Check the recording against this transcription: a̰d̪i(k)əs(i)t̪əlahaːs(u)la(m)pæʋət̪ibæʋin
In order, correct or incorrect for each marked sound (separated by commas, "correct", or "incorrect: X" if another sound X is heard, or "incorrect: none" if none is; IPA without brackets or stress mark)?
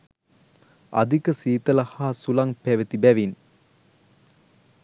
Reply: correct, incorrect: iː, correct, incorrect: ŋ